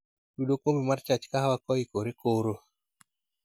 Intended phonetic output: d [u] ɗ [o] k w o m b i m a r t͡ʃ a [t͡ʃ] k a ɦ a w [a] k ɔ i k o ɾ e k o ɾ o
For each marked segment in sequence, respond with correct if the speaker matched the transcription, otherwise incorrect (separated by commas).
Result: correct, correct, correct, correct